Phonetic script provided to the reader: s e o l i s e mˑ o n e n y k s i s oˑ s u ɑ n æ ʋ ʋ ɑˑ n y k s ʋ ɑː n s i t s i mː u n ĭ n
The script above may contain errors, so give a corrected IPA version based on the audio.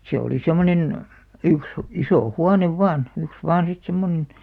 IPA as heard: s e o l i s e mˑ o n e n y k s i s oˑ h u ɑ n e ʋ ʋ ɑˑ n y k s ʋ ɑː n s i t s e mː o n ĕ n

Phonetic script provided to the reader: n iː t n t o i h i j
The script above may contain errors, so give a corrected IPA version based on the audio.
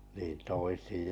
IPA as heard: n iː n t o i s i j

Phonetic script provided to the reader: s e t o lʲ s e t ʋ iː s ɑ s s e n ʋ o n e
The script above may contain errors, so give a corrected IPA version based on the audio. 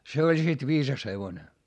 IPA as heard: s e o lʲ s i t ʋ iː s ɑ s h e ʋ o n e

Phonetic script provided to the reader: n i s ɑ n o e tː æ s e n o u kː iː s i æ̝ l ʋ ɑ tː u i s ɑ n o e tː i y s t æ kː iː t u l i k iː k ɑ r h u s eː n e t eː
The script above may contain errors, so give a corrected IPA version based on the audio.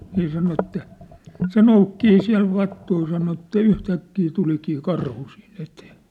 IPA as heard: n i s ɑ n o e tː æ s e n o u kː iː s i æ̝ l ʋ ɑ tː u i s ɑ n o e tː æ y h t æ kː iː t u l i k iː k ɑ r h u s iː n e t eː

